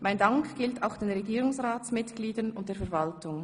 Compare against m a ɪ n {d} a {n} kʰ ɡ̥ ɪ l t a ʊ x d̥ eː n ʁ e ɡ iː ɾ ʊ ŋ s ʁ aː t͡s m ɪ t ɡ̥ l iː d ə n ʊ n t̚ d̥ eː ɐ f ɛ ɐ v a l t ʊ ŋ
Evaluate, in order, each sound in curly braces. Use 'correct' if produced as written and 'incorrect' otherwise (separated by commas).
correct, incorrect